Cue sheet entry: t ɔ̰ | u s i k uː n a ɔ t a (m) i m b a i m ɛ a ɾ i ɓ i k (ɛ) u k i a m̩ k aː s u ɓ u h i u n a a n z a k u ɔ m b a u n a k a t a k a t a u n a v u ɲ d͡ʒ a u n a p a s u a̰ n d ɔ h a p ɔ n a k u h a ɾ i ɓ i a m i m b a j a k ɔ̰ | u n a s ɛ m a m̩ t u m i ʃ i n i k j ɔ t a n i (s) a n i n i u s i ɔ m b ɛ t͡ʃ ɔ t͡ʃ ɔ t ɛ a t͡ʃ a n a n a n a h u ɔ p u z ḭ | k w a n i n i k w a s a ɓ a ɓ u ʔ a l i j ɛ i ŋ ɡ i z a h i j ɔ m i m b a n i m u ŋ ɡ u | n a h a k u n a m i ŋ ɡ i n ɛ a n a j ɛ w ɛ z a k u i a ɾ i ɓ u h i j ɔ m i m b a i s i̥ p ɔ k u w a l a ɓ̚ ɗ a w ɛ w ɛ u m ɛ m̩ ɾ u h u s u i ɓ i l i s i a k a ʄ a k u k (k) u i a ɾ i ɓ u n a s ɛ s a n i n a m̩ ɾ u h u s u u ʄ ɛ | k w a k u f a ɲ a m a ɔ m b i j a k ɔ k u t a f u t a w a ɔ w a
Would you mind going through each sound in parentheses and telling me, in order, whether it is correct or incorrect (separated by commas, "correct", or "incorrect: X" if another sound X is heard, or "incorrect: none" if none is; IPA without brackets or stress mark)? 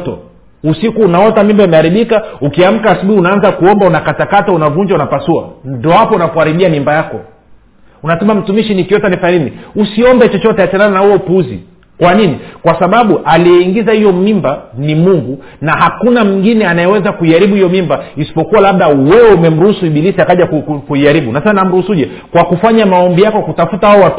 correct, incorrect: a, incorrect: f, correct